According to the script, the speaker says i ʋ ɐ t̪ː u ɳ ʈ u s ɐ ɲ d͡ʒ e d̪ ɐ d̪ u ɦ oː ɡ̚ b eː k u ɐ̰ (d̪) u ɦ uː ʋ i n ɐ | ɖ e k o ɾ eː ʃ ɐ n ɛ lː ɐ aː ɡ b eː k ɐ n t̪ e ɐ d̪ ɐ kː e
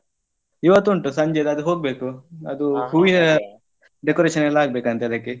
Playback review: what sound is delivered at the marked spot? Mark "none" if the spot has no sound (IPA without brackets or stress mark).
d̪